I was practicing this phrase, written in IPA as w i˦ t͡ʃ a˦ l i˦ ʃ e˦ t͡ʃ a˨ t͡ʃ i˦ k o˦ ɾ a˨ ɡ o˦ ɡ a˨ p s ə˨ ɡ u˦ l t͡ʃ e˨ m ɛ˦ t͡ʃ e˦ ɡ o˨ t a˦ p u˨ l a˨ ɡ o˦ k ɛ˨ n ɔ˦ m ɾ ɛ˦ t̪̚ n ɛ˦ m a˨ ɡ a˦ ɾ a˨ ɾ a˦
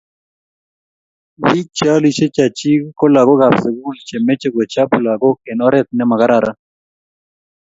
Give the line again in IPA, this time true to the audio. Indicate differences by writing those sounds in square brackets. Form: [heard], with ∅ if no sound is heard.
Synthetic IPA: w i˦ t͡ʃ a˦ l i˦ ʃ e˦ t͡ʃ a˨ t͡ʃ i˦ k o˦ [l] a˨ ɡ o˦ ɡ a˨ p s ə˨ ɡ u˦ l t͡ʃ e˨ m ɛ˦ t͡ʃ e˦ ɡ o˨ [t͡ʃ] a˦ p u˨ l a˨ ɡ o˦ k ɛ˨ n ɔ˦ [∅] ɾ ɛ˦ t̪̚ n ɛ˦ m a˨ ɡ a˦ ɾ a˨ ɾ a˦